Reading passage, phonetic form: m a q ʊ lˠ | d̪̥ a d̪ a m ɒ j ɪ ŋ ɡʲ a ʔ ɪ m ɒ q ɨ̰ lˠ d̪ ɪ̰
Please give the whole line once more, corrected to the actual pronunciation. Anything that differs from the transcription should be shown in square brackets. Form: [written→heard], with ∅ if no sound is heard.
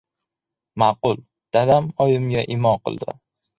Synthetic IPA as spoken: m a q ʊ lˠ | d̪̥ a d̪ a m ɒ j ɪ [ŋ→m] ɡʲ a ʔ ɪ m ɒ q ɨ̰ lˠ d̪ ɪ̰